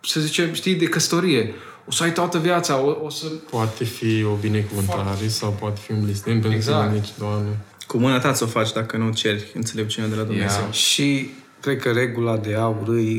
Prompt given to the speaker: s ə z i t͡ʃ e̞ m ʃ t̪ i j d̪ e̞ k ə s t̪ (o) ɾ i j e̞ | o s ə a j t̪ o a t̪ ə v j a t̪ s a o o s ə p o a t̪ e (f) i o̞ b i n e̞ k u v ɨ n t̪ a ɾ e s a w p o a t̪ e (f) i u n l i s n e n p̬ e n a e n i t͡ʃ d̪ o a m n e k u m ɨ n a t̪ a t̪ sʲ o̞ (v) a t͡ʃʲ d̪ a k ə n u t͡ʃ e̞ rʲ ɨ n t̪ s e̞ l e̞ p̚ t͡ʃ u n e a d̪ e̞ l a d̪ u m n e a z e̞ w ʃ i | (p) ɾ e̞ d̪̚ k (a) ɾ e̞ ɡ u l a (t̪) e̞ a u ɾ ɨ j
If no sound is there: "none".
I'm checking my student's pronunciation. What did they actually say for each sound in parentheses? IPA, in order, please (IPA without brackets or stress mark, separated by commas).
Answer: o, f, f, f, k, ə, d̪